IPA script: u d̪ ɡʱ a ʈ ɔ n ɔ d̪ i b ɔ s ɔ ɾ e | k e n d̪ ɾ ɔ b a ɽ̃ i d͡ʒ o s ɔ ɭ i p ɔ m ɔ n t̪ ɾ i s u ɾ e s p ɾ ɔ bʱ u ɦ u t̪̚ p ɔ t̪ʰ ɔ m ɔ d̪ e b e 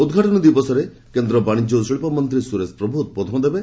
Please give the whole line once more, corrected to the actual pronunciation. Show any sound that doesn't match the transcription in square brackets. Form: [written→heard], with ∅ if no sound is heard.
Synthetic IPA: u d̪ ɡʱ a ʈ ɔ n ɔ d̪ i b ɔ s ɔ ɾ e | k e n d̪ ɾ ɔ b a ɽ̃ i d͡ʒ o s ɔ ɭ i p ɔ m ɔ n t̪ ɾ i s u ɾ e s p ɾ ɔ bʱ u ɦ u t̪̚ p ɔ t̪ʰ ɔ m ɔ d̪ e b e